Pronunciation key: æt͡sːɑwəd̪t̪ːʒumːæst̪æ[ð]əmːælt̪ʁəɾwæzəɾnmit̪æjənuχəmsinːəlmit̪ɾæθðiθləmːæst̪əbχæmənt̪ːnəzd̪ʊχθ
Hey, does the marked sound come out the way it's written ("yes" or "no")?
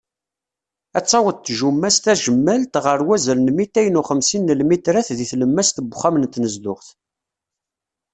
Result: no